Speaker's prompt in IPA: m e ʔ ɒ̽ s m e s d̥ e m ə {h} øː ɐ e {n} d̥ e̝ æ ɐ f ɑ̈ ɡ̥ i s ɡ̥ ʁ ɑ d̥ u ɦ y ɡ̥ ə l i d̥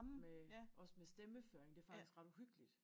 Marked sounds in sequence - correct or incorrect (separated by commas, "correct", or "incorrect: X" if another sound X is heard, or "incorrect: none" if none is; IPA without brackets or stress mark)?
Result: incorrect: f, incorrect: ŋ